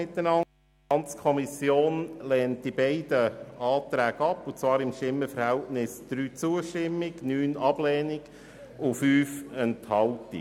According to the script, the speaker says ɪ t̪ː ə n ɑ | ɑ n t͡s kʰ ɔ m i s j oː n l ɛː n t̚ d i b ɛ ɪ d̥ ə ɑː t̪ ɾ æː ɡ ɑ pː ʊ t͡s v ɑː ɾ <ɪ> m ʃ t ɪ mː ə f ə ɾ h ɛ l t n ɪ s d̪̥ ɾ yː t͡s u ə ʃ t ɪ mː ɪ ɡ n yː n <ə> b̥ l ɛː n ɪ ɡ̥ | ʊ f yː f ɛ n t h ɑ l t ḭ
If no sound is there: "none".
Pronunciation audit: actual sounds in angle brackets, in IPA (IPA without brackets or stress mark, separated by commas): ɪ, ɑ